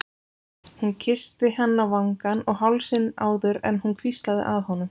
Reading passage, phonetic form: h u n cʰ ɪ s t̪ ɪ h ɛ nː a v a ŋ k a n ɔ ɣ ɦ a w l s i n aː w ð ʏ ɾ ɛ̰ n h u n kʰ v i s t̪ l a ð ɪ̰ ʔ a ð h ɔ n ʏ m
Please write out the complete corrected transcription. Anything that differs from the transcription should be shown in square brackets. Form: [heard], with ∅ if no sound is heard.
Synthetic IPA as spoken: h u n cʰ ɪ s t̪ ɪ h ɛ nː a v a ŋ k a n ɔ ɣ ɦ a w l s [ɪ] n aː w ð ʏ ɾ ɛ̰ n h u n kʰ v i s t̪ l a ð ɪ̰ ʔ a ð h ɔ n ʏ m